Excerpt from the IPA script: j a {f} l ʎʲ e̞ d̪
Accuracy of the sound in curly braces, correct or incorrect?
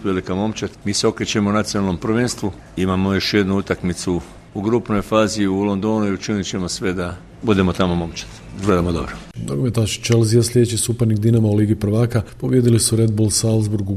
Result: incorrect